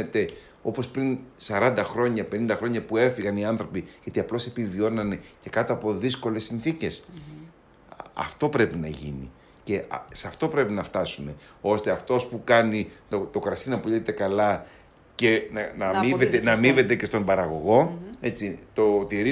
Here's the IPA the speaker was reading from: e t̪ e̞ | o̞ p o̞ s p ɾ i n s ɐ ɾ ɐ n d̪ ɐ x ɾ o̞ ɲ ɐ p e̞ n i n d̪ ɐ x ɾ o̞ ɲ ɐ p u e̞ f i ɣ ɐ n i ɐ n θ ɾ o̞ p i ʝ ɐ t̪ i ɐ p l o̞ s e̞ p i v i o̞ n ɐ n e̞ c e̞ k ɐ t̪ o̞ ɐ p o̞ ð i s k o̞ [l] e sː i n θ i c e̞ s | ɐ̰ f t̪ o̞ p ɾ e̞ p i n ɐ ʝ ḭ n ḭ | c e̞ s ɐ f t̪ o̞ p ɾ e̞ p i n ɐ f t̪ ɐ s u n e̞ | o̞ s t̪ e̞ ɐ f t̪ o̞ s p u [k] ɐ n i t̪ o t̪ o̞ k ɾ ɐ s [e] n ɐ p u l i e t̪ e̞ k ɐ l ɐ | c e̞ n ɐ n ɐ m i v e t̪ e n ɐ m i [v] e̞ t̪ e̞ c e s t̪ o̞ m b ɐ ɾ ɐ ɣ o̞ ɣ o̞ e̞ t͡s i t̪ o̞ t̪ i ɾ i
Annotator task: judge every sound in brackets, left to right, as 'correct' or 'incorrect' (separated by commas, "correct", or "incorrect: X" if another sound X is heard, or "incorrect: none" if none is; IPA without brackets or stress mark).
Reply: correct, correct, incorrect: i, correct